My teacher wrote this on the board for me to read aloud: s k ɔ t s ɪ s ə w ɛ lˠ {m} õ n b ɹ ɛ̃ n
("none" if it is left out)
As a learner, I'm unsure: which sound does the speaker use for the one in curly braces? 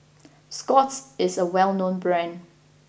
n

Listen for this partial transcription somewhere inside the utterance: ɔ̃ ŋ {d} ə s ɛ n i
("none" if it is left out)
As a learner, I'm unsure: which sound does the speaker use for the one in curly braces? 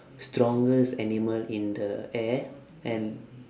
ɡ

